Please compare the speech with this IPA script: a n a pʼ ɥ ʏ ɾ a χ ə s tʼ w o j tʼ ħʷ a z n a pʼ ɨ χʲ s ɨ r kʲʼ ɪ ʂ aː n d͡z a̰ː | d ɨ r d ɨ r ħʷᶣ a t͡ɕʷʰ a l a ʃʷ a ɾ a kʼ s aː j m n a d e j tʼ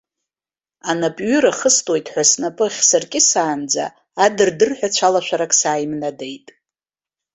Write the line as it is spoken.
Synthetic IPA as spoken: a n a pʼ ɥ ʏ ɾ a χ ə s tʼ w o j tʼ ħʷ a s n a pʼ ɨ χʲ s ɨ r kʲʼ ɪ s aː n d͡z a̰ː | d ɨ r d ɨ r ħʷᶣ a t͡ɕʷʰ a l a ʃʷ a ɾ a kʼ s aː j m n a d e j tʼ